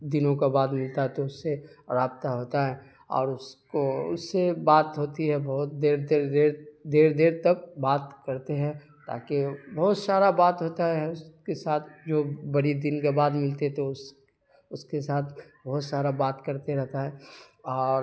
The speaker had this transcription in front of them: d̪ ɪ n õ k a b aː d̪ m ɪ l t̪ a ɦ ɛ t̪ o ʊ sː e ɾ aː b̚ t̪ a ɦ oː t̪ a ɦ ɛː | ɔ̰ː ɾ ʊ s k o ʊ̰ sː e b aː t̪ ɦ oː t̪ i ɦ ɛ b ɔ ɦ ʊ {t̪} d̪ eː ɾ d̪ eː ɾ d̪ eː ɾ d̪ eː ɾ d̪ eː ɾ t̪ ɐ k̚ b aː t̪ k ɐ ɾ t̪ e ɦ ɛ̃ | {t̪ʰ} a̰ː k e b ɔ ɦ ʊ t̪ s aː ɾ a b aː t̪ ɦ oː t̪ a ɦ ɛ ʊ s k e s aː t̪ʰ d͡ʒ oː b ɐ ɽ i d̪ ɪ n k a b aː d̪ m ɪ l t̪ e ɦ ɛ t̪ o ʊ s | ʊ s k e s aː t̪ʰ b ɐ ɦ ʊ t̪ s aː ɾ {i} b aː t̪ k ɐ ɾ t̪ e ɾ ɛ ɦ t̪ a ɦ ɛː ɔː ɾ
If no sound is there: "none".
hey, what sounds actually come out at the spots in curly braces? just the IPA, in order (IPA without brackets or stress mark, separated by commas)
t̪, t̪, a